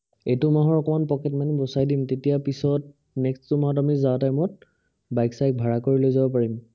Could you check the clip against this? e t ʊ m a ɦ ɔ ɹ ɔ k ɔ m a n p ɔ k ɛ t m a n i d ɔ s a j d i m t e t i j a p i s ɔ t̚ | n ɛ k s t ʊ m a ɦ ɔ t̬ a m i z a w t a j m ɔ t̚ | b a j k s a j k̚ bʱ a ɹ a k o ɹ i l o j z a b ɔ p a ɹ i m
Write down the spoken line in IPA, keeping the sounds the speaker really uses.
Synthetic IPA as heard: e t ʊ m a ɦ ɔ ɹ ɔ k ɔ m a n p ɔ k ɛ t m a n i b ɔ s a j d i m t e t i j a p i s ɔ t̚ | n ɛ k s t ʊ m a ɦ ɔ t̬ a m i z a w t a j m ɔ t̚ | b a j k s a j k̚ bʱ a ɹ a k o ɹ i l o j z a b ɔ p a ɹ i m